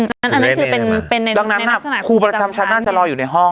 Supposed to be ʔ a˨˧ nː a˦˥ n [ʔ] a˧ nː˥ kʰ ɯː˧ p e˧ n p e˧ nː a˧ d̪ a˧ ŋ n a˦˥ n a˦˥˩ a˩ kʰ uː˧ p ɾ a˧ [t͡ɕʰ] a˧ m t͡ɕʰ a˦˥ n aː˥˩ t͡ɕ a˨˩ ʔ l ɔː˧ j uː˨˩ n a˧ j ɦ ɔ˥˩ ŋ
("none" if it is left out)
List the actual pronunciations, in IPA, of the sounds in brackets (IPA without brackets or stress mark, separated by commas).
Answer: ʔ, t͡ɕ